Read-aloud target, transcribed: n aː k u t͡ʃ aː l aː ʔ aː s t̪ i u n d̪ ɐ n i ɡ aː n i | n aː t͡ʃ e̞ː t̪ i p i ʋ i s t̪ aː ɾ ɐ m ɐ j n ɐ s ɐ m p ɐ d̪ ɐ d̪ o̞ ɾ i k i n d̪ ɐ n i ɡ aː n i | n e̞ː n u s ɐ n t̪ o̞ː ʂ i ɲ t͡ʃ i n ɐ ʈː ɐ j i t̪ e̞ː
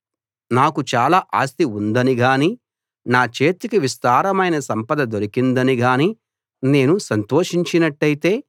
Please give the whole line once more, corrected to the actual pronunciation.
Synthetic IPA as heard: n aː k u t͡ʃ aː l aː ʔ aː s t̪ i u n d̪ ɐ n i ɡ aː n i | n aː t͡ʃ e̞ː t̪ i k i ʋ i s t̪ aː ɾ ɐ m ɐ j n ɐ s ɐ m p ɐ d̪ ɐ d̪ o̞ ɾ i k i n d̪ ɐ n i ɡ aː n i | n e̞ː n u s ɐ n t̪ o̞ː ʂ i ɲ t͡ʃ i n ɐ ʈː ɐ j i t̪ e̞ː